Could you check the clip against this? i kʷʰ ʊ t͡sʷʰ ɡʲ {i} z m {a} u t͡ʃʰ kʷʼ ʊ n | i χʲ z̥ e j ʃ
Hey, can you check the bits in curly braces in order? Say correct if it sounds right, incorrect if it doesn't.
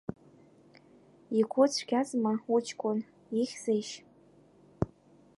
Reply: incorrect, correct

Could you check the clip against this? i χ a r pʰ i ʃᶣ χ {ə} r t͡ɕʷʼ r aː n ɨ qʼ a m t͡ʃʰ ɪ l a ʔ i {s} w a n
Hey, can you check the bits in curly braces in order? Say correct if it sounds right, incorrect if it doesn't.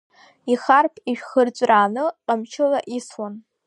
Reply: correct, correct

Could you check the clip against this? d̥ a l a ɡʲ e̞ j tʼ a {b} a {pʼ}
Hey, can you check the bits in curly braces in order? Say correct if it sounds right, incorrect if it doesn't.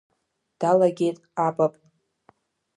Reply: correct, correct

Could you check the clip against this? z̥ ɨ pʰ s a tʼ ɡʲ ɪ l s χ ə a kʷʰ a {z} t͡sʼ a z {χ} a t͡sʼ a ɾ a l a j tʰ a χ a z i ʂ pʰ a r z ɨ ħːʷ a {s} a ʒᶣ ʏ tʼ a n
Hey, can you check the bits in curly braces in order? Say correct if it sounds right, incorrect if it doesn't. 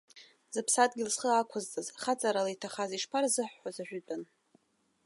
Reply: correct, correct, incorrect

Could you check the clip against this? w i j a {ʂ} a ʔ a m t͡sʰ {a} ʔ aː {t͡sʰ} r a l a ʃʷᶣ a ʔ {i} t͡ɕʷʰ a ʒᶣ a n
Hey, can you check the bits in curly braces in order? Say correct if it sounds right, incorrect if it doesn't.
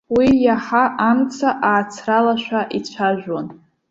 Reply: incorrect, correct, correct, correct

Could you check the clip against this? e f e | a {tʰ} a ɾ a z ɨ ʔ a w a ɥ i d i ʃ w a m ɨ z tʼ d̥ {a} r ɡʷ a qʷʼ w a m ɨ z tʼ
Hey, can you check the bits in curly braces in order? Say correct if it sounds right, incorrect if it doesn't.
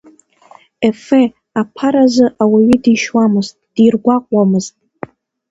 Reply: incorrect, incorrect

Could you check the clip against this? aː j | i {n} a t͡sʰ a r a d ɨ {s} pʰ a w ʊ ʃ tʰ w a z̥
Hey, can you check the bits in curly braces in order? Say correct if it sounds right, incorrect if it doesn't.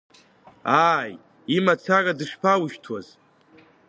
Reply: incorrect, incorrect

